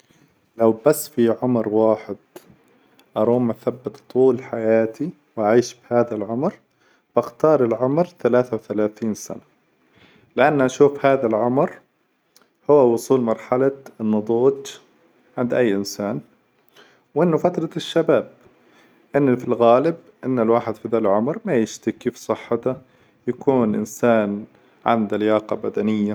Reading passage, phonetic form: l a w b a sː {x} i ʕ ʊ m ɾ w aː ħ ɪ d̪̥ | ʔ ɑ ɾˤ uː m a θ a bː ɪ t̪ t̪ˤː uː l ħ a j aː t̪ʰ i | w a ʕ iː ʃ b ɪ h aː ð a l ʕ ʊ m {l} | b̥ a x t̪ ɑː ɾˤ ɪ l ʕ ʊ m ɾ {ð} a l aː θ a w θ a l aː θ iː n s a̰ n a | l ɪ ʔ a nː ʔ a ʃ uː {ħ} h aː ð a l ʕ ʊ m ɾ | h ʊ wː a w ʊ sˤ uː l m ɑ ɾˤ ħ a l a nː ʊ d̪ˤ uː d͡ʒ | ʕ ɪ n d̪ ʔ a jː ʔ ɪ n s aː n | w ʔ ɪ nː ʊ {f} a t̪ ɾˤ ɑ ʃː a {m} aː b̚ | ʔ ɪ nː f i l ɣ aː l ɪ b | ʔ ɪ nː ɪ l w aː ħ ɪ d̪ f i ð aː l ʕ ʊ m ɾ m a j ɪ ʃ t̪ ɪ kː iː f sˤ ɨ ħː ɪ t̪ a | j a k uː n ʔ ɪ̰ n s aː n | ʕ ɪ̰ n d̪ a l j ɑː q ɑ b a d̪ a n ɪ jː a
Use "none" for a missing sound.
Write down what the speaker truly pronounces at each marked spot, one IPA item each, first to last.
f, ɾ, θ, f, f, b

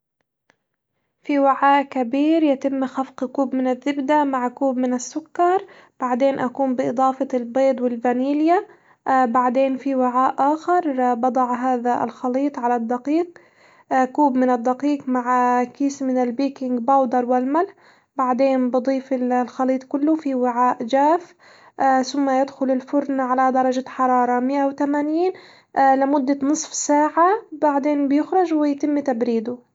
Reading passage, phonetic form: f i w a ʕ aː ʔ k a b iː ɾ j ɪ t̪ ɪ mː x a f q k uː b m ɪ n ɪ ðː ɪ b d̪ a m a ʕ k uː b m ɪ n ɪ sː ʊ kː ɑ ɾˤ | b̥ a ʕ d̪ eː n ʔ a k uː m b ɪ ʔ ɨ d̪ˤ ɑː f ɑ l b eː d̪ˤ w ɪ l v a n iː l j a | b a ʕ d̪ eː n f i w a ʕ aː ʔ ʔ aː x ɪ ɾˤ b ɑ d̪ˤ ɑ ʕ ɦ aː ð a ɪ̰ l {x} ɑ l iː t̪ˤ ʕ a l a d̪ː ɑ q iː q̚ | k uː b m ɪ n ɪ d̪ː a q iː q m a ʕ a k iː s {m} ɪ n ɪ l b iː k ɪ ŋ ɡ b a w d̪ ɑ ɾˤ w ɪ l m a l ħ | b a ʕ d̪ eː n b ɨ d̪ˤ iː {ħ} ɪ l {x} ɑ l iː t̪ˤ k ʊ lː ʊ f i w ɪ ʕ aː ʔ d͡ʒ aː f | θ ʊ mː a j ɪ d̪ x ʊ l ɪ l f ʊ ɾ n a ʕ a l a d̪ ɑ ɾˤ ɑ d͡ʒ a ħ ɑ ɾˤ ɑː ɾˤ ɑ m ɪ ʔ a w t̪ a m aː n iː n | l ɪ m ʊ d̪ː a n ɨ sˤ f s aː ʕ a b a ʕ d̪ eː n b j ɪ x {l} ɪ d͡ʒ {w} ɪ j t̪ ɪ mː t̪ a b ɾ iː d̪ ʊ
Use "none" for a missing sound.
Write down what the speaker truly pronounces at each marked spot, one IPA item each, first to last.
x, m, f, x, ɾ, w

